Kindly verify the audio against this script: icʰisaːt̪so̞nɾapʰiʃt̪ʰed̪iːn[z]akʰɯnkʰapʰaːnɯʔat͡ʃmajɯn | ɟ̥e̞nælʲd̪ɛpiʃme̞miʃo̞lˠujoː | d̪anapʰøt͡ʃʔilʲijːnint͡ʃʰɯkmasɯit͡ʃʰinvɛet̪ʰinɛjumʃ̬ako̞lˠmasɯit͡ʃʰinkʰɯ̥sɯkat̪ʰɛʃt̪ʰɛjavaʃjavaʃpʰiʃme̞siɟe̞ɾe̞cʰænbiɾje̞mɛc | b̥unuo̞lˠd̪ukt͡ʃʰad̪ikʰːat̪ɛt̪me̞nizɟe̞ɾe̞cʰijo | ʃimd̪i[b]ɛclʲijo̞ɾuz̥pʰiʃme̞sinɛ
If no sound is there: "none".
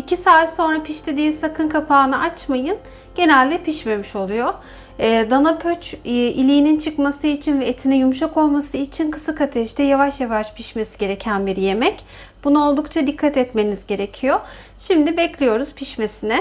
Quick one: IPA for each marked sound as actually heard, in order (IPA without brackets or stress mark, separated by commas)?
s, b